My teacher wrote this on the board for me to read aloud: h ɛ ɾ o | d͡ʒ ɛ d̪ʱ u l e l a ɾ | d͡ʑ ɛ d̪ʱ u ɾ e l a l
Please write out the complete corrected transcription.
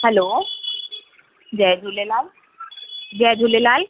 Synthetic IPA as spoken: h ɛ l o | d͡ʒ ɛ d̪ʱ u l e l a l | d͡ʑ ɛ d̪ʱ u l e l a l